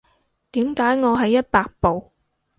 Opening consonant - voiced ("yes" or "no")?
no